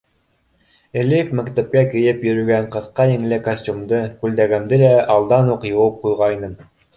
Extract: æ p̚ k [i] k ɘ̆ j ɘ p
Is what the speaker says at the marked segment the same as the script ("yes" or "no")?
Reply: no